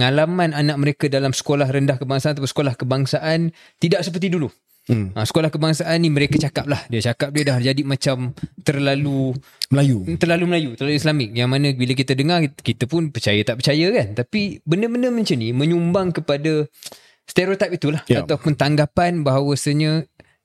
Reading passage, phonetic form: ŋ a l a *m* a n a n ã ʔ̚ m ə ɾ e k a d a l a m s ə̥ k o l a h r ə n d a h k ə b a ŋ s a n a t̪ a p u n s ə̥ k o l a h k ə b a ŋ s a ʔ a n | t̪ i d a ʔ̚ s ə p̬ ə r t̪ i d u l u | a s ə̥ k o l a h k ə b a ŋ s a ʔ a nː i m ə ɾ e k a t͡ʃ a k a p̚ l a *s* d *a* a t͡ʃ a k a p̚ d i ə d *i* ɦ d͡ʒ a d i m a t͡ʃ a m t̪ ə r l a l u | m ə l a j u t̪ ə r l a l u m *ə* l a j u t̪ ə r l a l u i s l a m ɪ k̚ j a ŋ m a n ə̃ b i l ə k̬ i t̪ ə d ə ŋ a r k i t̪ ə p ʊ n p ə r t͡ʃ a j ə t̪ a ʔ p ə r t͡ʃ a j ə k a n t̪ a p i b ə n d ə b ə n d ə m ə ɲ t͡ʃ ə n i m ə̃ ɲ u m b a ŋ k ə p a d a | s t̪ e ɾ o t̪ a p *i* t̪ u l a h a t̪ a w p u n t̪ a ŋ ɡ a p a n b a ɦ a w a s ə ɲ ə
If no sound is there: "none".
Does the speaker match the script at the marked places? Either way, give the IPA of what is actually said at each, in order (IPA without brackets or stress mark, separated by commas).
m, h, i, a, ə, i